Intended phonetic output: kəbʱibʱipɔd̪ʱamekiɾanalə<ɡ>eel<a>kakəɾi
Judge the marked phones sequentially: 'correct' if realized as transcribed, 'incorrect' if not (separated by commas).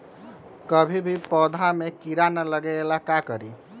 correct, correct